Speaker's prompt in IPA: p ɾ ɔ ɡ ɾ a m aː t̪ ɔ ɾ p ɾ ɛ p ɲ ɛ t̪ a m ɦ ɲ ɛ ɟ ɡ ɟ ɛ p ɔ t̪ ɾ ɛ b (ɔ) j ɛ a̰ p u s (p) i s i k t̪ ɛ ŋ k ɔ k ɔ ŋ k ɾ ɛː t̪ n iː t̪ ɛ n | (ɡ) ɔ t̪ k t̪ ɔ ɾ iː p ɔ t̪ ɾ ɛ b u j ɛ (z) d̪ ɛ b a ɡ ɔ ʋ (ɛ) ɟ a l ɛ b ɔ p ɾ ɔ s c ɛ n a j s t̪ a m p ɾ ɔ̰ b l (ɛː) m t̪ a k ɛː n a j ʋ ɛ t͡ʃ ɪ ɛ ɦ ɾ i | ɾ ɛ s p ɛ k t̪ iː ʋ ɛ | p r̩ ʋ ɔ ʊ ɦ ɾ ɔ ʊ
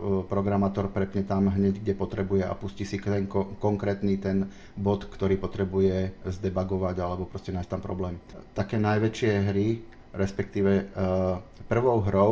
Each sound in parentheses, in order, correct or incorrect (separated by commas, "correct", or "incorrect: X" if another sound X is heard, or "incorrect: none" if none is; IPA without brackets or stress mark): incorrect: u, incorrect: c, incorrect: b, correct, incorrect: a, correct